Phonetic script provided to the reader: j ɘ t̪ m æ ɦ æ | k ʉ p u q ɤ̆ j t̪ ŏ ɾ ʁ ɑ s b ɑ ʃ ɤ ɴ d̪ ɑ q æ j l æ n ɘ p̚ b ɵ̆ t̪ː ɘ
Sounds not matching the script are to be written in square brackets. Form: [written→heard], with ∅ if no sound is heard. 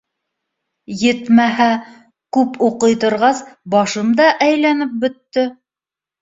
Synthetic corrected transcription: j ɘ t̪ m æ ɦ æ | k ʉ p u q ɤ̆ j t̪ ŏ ɾ ʁ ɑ s b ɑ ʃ ɤ [ɴ→m] d̪ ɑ [q→ʔ] æ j l æ n ɘ p̚ b ɵ̆ t̪ː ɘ